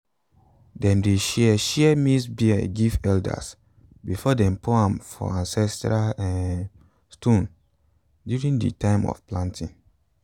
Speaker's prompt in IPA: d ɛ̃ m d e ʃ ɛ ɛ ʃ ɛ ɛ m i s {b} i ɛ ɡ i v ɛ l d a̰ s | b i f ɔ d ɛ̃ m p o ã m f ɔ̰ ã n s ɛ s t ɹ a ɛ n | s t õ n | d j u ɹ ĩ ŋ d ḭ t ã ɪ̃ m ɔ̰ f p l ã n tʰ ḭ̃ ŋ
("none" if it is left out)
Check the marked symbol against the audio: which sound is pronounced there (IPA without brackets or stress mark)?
b